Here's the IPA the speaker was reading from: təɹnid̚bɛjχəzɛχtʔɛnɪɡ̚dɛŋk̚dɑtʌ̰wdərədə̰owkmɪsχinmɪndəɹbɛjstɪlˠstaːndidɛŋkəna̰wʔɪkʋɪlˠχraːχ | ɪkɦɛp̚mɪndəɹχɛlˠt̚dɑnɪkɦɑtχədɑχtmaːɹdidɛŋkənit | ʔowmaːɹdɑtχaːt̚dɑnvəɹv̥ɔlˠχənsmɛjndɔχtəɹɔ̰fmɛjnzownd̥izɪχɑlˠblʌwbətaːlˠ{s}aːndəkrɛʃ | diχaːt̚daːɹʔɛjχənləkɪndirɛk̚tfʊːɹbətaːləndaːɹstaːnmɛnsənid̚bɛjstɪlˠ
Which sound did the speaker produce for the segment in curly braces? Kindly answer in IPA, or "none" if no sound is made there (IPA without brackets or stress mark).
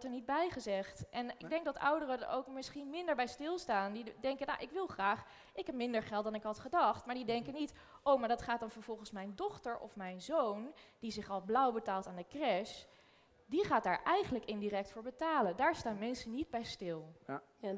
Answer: t